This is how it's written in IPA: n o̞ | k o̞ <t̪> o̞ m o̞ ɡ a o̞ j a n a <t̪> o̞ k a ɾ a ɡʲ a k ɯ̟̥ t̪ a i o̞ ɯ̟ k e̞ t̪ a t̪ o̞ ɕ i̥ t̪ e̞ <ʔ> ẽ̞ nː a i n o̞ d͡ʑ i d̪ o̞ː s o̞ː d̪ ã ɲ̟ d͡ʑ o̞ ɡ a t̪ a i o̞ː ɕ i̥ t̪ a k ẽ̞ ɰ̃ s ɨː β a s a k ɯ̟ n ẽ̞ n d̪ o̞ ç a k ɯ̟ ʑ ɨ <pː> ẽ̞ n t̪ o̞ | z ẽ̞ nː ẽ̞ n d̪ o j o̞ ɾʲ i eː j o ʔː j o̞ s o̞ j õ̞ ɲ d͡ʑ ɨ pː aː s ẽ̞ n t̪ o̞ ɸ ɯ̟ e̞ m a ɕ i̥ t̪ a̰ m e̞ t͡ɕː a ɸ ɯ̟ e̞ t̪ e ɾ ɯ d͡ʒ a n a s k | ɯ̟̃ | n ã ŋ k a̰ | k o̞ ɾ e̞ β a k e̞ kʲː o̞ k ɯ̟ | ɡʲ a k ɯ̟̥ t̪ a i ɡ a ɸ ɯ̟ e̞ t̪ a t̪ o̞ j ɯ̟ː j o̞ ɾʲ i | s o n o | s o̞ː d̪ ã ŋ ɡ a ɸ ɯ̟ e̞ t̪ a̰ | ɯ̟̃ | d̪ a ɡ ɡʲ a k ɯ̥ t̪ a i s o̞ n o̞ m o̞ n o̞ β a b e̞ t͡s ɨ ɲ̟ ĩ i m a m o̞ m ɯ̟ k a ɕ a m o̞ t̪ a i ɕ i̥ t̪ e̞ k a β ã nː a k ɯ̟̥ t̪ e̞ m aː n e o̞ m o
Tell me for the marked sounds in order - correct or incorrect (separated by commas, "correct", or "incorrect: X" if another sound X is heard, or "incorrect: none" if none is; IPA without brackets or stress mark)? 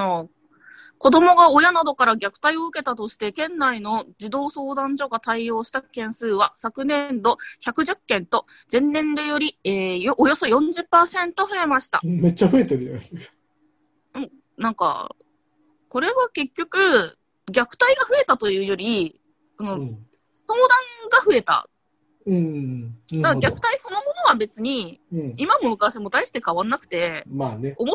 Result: incorrect: d̪, incorrect: d̪, incorrect: k, incorrect: kː